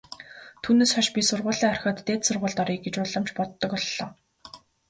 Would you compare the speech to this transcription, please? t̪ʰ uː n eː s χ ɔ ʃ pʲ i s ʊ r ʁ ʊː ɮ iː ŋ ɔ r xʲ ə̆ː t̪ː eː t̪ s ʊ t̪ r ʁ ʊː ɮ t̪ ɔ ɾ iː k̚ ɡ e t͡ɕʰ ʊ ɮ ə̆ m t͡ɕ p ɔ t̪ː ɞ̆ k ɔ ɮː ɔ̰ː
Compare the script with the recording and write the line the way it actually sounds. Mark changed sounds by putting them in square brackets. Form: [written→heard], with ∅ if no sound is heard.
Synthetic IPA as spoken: t̪ʰ uː n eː s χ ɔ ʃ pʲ i s ʊ r ʁ ʊː ɮ iː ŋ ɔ r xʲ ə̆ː t̪ː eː t̪ s ʊ [t̪→∅] r ʁ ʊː ɮ t̪ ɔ ɾ iː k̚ ɡ e [t͡ɕʰ→t͡ɕ] ʊ ɮ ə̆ m t͡ɕ p ɔ t̪ː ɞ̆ k ɔ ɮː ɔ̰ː

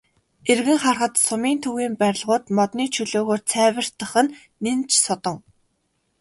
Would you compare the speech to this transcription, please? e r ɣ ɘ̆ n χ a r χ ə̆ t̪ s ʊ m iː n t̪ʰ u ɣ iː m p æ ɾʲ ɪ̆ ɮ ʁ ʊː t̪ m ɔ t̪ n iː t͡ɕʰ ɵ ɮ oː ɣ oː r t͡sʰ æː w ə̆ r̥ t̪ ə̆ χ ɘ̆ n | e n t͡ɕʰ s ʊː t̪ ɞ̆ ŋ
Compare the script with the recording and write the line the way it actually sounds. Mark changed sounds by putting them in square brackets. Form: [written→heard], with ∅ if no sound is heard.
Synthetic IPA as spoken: e r ɣ ɘ̆ [n→ŋ] χ a r χ ə̆ t̪ s ʊ m iː n t̪ʰ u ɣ iː m p æ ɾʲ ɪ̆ ɮ ʁ ʊː t̪ m ɔ t̪ n iː t͡ɕʰ ɵ ɮ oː ɣ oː r t͡sʰ æː w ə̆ r̥ t̪ ə̆ χ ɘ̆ [n→nː] | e n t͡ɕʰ s [ʊː→ʊ] t̪ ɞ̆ ŋ

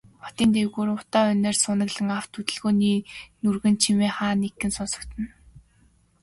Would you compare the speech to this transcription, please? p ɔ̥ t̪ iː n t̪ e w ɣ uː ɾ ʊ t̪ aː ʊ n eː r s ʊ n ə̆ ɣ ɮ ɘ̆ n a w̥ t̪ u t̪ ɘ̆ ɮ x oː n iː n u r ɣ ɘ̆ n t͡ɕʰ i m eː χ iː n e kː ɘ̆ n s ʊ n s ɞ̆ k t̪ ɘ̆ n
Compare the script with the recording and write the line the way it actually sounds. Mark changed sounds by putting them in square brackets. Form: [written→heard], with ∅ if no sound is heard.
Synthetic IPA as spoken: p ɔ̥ t̪ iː n t̪ e w ɣ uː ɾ ʊ t̪ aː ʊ n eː r s ʊ n ə̆ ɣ ɮ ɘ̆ [n→ŋ] a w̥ t̪ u t̪ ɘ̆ ɮ [x→ɣ] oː n iː n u r ɣ ɘ̆ n t͡ɕʰ i m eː χ [iː→aː] n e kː ɘ̆ n s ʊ n s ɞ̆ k t̪ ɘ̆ n

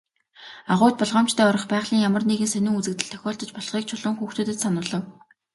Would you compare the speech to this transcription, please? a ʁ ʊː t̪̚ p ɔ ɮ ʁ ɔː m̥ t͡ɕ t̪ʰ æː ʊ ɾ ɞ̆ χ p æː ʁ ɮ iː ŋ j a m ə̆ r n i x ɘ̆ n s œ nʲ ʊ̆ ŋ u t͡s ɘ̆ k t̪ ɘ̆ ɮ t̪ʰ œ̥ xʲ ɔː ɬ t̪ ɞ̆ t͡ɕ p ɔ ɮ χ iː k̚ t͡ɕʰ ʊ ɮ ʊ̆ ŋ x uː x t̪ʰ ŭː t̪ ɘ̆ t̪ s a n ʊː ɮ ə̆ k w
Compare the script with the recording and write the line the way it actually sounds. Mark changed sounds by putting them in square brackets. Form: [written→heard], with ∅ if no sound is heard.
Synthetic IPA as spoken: a ʁ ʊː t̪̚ p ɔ ɮ ʁ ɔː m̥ t͡ɕ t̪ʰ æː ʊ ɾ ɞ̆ χ p æː ʁ ɮ iː ŋ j a m ə̆ r n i [x→ɣ] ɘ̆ n s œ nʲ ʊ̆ ŋ u t͡s ɘ̆ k t̪ ɘ̆ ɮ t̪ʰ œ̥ xʲ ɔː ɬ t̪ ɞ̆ t͡ɕ p ɔ ɮ χ iː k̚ t͡ɕʰ ʊ ɮ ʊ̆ ŋ x uː x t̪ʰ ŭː t̪ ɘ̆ t̪ s a n ʊː ɮ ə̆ [k→∅] w

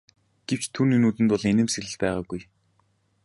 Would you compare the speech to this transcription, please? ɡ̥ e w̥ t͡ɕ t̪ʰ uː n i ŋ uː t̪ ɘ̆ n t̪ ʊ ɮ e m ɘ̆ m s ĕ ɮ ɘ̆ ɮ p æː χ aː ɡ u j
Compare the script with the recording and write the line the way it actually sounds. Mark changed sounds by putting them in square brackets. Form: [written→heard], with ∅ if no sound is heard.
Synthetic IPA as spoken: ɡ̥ e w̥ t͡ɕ t̪ʰ uː n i [ŋ→n] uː t̪ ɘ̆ n t̪ ʊ ɮ e [m→n] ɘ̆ m s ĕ ɮ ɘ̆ ɮ p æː [χ→ʁ] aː ɡ u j

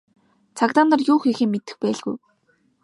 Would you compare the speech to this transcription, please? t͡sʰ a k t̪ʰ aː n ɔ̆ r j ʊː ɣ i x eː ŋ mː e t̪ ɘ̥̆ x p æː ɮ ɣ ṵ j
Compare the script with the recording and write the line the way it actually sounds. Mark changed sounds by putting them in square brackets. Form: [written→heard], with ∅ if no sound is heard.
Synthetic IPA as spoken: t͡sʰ a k [t̪ʰ→t̪] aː n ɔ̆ r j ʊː [ɣ→x] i x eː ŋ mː e t̪ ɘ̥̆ x p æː ɮ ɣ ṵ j

